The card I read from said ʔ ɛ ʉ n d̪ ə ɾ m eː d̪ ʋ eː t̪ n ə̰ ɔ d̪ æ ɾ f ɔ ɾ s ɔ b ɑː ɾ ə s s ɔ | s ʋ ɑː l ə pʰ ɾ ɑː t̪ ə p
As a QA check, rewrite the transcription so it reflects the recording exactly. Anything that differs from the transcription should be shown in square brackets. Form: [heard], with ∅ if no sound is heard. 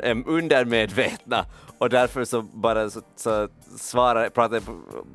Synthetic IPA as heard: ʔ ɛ ʉ n d̪ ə ɾ m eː d̪ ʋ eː t̪ n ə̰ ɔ d̪ æ ɾ f ɔ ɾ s ɔ b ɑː ɾ ə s s ɔ | s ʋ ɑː [ɾ] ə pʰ ɾ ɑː t̪ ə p